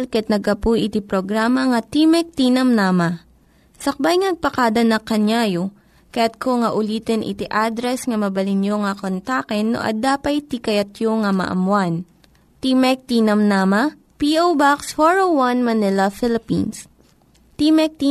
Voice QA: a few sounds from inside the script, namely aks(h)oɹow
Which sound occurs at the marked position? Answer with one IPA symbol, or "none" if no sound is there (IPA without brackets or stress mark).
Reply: h